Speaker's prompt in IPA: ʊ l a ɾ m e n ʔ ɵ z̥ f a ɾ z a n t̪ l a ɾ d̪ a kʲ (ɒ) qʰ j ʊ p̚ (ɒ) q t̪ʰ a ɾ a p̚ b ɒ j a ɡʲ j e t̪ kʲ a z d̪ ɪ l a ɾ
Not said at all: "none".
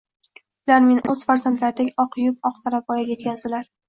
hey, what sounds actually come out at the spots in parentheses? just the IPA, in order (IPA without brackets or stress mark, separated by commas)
ɒ, ɒ